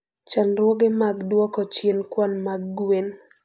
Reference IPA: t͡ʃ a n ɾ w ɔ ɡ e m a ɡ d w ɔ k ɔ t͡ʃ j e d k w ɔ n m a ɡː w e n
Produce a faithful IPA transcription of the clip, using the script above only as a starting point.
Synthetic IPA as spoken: t͡ʃ a n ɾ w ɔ ɡ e m a ɡ d w ɔ k ɔ t͡ʃ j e n k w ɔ n m a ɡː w e n